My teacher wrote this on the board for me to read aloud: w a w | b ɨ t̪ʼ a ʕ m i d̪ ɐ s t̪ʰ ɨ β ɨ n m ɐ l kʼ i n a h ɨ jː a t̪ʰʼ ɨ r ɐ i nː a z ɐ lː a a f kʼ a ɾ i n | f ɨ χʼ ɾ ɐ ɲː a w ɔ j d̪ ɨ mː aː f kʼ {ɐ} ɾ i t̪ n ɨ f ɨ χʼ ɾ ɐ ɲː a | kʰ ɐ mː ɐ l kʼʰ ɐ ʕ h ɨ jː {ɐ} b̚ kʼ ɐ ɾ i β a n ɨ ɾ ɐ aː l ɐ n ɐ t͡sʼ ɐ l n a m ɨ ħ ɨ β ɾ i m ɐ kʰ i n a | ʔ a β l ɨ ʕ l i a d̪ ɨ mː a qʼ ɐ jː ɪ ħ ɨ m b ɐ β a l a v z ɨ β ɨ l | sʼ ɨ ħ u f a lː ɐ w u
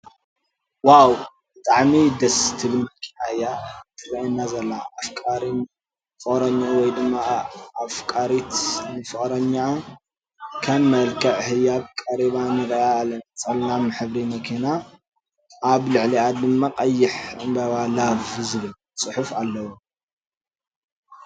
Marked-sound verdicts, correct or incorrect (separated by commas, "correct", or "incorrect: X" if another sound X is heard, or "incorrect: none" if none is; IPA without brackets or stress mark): incorrect: a, incorrect: a